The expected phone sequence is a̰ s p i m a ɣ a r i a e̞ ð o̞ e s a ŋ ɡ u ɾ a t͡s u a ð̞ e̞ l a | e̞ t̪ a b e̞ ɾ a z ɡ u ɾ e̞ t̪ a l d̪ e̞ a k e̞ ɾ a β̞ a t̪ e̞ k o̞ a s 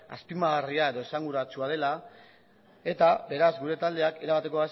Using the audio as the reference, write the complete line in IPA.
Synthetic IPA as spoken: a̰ s p i m a ɣ a r i a e̞ ð o̞ e s a ŋ ɡ u ɾ a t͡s u a ð̞ e̞ l a | e̞ t̪ a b e̞ ɾ a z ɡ u ɾ e̞ t̪ a l d̪ e̞ a k e̞ ɾ a β̞ a t̪ e̞ k o̞ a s